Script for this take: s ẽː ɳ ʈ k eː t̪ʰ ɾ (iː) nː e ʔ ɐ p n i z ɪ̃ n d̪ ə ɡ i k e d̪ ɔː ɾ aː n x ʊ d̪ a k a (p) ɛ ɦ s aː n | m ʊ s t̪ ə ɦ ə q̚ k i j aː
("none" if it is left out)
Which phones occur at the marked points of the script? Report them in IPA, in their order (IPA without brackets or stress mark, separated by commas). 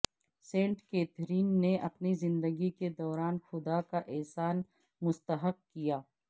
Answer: iː, ʔ